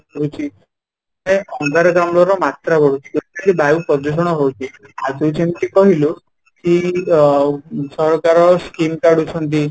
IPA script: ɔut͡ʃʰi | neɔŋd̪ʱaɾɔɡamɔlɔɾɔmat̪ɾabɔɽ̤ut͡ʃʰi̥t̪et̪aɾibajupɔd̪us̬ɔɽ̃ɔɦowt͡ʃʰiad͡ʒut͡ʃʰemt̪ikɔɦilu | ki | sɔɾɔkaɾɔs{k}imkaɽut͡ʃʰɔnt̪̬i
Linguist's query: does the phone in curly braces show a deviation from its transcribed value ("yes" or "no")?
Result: no